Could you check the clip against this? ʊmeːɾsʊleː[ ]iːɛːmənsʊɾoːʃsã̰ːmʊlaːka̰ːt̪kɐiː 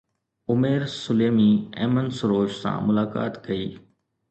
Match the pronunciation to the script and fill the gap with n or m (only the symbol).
m